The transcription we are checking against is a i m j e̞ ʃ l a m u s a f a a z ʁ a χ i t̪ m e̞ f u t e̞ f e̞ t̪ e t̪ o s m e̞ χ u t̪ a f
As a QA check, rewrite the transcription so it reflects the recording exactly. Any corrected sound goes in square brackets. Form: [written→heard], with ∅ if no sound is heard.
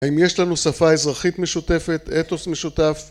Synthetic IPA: a i m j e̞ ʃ l a [m→n] u s a f a [a→e] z ʁ a χ i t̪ m e̞ [f→ʃ] u t e̞ f e̞ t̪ e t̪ o s m e̞ [χ→ʃ] u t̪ a f